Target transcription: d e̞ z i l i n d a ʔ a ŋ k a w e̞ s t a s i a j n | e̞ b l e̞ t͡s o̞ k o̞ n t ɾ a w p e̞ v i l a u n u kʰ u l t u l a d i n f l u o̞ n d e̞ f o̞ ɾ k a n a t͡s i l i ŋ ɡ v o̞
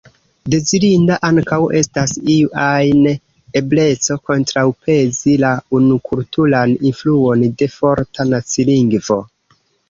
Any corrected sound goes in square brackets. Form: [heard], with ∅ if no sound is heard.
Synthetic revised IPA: d e̞ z i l i n d a ʔ a ŋ k a w e̞ s t a s i a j n | e̞ b l e̞ t͡s o̞ k o̞ n t ɾ a w p e̞ [z] i l a u n u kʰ u l t u l a [n] i n f l u o̞ n d e̞ f o̞ ɾ [t] a n a t͡s i l i ŋ ɡ v o̞

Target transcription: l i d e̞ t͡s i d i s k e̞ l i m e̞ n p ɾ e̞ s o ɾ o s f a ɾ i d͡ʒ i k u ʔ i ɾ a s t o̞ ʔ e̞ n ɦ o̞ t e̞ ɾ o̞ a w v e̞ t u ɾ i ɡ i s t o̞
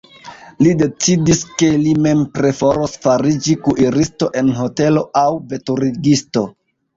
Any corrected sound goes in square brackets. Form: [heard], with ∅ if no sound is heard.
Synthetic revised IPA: l i d e̞ t͡s i d i s k e̞ l i m e̞ [m] p ɾ e̞ [f] o ɾ o s f a ɾ i d͡ʒ i k u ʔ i ɾ [i] s t o̞ ʔ e̞ n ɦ o̞ t e̞ [l] o̞ a w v e̞ t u ɾ i ɡ i s t o̞

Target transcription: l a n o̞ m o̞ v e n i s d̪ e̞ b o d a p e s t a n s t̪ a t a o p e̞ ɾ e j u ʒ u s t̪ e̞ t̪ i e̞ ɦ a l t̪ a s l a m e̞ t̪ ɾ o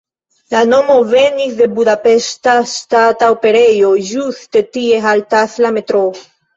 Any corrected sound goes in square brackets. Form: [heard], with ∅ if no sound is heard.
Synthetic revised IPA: l a n o̞ m o̞ v e n i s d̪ e̞ b [u] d a p e s t a [∅] s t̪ a t a o p e̞ ɾ e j [o] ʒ u s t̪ e̞ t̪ i e̞ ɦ a l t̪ a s l a m e̞ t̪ ɾ o

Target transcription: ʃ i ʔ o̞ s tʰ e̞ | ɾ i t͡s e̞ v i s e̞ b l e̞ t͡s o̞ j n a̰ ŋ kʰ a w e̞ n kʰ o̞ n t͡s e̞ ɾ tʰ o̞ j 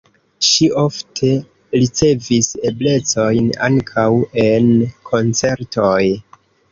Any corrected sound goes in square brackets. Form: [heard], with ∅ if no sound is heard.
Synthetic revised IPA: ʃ i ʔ o̞ [f] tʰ e̞ | ɾ i t͡s e̞ v i s e̞ b l e̞ t͡s o̞ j n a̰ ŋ kʰ a w e̞ n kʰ o̞ n t͡s e̞ ɾ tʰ o̞ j

